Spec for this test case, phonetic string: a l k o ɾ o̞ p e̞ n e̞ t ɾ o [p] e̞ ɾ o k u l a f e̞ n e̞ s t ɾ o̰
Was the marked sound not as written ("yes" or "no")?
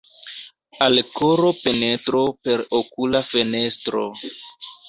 no